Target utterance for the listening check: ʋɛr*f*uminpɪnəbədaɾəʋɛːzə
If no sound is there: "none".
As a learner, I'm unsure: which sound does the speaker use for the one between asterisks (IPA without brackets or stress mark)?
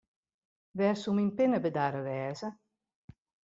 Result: s